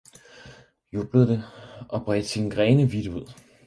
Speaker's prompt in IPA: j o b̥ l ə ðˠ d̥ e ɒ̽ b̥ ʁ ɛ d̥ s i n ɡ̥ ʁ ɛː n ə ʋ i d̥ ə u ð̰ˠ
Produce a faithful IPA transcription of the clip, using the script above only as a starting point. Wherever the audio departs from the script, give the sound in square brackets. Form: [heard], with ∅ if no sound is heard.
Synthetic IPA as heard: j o b̥ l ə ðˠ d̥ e ɒ̽ b̥ ʁ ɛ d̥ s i n ɡ̥ ʁ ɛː n ə ʋ i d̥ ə u ð̰ˠ